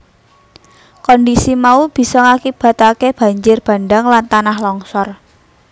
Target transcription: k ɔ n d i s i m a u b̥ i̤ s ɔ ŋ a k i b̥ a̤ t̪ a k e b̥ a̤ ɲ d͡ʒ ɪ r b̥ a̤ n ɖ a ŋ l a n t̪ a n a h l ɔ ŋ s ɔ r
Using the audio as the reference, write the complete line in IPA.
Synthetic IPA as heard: k ɔ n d i s i m a u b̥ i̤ s ɔ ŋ a k i b̥ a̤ t̪ a k e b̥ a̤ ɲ d͡ʒ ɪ r b̥ a̤ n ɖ a ŋ l a n t̪ a n a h l ɔ ŋ s ɔ r